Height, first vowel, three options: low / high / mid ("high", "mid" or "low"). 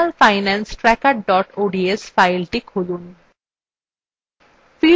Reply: low